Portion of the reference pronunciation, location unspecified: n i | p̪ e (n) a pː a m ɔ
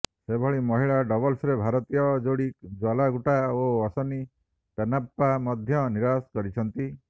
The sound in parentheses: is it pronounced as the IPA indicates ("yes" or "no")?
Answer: yes